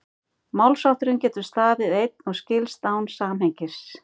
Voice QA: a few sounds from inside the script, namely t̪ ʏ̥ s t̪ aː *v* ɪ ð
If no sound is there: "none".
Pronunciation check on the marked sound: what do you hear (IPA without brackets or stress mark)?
v